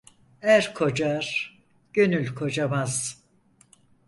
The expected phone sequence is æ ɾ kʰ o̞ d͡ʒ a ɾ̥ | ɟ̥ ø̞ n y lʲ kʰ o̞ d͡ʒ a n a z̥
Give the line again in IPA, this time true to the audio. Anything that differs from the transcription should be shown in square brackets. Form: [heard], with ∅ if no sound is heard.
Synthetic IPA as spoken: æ ɾ kʰ o̞ d͡ʒ a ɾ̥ | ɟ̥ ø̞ n y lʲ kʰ o̞ d͡ʒ a [m] a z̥